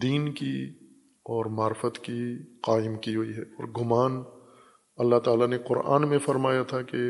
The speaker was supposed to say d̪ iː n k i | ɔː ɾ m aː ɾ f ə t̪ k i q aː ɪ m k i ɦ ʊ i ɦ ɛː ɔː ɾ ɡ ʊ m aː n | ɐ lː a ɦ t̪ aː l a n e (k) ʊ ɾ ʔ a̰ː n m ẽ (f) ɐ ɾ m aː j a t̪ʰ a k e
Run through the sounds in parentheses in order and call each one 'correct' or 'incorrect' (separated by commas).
incorrect, correct